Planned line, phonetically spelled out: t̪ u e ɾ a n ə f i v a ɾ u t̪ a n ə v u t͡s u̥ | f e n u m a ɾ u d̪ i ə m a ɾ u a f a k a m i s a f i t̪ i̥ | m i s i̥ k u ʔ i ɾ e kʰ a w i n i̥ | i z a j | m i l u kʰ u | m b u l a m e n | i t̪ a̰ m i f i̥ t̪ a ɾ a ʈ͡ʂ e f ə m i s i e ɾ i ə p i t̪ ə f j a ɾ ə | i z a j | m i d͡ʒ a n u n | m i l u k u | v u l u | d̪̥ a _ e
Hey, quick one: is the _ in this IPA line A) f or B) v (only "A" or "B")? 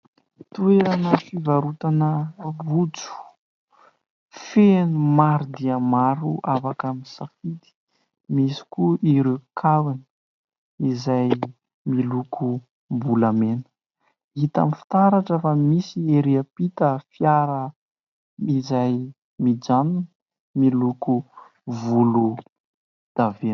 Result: B